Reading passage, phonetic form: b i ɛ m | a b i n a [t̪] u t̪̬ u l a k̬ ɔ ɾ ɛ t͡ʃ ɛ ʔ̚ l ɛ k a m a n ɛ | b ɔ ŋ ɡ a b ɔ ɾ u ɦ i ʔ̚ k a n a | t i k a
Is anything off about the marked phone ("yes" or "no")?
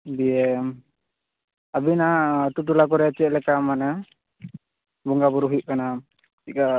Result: no